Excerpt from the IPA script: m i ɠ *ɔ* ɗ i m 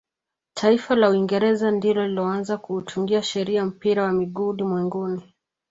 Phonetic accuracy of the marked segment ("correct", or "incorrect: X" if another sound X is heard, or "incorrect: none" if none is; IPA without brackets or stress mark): incorrect: u